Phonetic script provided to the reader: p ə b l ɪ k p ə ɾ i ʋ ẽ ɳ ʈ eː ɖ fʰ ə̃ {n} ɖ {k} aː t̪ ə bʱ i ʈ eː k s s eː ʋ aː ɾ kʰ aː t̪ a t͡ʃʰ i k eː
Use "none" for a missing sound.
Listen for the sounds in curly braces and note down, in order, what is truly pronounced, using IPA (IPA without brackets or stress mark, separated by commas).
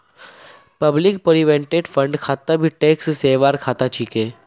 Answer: ɳ, kʰ